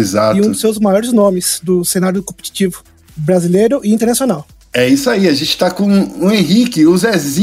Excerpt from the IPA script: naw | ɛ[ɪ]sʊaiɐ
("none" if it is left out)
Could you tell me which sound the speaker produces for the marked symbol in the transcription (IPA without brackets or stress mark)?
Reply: i